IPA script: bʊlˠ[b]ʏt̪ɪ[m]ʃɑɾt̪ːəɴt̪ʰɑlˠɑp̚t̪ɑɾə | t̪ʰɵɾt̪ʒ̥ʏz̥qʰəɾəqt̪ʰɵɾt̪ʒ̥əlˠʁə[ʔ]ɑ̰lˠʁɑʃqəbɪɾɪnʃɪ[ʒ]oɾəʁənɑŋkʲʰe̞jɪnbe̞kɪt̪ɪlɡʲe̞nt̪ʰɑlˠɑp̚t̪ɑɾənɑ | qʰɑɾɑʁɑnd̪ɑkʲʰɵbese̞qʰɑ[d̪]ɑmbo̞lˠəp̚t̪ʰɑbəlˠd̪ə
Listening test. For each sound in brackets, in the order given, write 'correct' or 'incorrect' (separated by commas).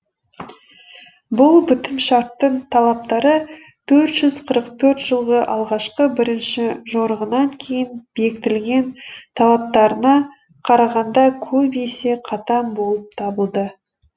correct, correct, correct, correct, incorrect